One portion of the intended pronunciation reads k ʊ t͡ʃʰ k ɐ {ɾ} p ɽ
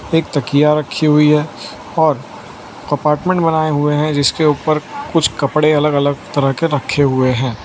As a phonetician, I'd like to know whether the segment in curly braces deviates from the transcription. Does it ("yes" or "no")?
yes